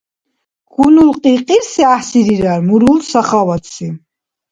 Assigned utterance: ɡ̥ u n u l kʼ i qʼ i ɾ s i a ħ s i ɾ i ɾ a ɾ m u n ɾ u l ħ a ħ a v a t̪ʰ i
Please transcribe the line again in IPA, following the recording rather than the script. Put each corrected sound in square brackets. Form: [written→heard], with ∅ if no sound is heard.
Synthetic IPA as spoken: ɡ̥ u n u l [kʼ→qʼ] i qʼ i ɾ s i a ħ s i ɾ i ɾ a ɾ m u [n→∅] ɾ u l [ħ→s] a [ħ→χ] a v a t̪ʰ i